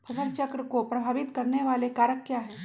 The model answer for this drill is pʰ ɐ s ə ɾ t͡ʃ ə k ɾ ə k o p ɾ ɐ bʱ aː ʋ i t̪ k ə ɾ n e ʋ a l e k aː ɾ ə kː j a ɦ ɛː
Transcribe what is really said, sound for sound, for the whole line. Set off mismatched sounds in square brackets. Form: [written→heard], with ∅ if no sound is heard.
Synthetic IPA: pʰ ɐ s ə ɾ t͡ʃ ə k ɾ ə k o p ɾ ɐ bʱ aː ʋ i t̪ k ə ɾ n e ʋ a l e k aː ɾ ə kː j a ɦ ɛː